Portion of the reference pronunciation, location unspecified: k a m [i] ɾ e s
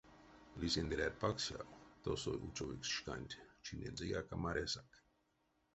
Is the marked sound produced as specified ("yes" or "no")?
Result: no